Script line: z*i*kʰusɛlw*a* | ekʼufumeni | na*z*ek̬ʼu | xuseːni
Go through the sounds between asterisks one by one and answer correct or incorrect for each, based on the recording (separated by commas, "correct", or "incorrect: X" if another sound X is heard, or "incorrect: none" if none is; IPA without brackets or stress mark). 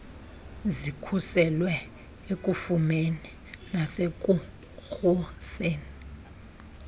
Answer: correct, incorrect: ɛ, incorrect: s